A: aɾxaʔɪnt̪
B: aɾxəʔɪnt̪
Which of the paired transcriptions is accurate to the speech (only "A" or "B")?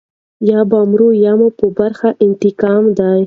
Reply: A